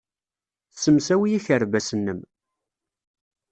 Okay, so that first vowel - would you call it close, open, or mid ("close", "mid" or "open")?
mid